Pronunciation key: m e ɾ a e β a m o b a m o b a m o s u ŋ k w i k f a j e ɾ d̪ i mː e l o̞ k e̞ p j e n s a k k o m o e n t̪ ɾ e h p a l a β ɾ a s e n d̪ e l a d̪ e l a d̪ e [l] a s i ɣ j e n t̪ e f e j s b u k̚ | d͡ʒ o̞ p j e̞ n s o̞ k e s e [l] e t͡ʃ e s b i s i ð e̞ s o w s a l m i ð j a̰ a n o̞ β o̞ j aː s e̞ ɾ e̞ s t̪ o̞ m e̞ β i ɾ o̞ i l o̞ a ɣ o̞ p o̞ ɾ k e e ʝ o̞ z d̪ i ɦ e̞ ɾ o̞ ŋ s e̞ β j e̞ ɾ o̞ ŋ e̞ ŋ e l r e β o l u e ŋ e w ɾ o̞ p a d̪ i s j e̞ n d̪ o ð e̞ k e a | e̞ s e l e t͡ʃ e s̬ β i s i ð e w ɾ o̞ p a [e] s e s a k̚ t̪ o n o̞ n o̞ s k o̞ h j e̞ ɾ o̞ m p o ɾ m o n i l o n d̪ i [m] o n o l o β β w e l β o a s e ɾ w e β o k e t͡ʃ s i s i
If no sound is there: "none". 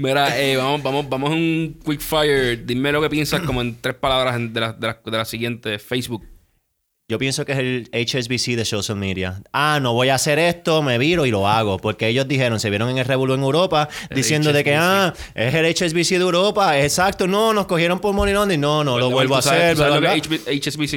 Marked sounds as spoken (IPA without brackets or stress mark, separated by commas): l, l, e, n